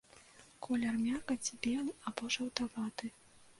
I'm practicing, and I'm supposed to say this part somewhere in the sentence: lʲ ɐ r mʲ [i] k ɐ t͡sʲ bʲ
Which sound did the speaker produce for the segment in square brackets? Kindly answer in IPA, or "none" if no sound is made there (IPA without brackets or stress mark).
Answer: a